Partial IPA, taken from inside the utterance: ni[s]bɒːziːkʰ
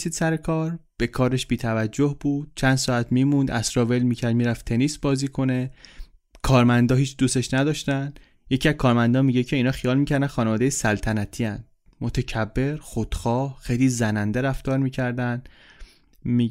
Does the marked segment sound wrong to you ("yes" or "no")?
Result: no